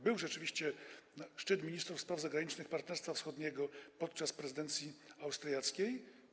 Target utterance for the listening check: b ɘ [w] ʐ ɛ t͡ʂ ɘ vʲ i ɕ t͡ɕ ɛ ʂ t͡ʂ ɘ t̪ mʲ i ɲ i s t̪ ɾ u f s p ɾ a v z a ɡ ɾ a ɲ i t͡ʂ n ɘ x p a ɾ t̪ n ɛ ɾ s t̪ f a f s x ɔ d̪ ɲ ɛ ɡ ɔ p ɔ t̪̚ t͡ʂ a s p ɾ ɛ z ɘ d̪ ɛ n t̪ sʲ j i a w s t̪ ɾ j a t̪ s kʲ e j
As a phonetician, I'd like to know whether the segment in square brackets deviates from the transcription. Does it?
no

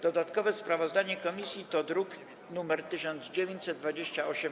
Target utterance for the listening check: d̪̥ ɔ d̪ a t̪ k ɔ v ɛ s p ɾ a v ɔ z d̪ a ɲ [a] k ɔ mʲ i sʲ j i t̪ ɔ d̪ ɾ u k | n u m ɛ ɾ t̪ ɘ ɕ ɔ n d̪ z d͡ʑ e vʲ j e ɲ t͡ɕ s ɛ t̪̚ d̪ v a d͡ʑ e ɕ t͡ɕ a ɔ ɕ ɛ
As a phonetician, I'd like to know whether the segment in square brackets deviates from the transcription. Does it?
yes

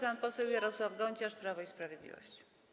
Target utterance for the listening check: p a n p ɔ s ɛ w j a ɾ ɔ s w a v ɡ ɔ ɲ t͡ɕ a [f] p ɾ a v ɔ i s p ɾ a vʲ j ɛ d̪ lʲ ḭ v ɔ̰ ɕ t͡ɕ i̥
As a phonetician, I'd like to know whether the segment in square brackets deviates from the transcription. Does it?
yes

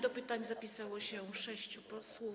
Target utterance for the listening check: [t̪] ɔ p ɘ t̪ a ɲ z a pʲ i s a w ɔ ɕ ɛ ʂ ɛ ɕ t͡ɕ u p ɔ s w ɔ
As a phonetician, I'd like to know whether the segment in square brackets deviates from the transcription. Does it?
yes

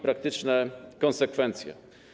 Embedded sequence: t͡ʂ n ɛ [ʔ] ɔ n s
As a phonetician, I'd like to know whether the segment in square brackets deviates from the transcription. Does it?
yes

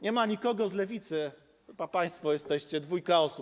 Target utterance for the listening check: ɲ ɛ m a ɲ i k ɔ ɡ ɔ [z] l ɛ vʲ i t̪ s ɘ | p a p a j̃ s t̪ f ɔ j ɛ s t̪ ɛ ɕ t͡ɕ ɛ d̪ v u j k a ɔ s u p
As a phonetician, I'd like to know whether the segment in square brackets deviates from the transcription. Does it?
no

